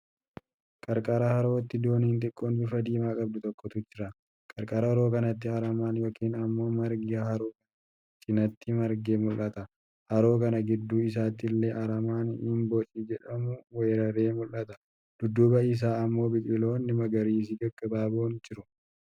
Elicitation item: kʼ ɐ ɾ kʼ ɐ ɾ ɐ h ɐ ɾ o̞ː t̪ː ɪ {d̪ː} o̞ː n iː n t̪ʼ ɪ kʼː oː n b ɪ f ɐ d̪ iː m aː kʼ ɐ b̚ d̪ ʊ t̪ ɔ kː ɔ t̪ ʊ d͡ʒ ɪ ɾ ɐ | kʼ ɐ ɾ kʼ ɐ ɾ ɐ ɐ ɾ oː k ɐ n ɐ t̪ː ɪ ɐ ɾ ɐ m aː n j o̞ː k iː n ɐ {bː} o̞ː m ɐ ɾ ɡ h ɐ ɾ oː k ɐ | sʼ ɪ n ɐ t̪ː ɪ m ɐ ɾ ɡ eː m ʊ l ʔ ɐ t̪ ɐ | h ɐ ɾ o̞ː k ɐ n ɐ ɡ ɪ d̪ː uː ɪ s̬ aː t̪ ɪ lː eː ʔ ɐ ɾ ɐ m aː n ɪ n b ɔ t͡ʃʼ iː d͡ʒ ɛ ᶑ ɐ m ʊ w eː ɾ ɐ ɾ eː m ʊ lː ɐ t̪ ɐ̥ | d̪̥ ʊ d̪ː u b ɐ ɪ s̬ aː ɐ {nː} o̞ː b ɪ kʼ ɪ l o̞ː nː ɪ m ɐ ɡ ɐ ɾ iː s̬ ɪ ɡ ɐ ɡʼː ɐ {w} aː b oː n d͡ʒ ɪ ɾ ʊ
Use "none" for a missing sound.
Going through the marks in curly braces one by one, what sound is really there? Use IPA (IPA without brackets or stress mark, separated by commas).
d̪, mː, mː, b